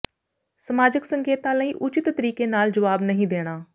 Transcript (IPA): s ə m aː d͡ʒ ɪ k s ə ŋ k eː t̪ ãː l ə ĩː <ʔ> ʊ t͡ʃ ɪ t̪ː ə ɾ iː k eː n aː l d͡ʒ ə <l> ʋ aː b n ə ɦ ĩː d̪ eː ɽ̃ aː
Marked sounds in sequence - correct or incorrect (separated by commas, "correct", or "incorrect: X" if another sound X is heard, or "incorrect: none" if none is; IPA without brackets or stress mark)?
correct, incorrect: none